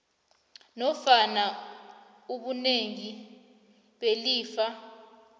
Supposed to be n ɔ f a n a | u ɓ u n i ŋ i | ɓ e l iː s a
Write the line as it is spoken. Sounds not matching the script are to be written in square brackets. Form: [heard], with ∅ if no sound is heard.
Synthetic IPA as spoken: n ɔ f a n a | u ɓ u n [e] ŋ i | ɓ e l iː [f] a